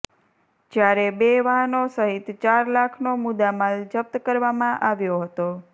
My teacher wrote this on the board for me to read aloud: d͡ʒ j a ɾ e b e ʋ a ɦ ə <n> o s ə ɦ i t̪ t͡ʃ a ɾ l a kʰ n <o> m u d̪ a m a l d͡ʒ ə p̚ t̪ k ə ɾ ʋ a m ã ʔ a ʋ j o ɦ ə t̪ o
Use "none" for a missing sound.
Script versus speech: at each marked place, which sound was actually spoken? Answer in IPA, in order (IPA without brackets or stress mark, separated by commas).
n, o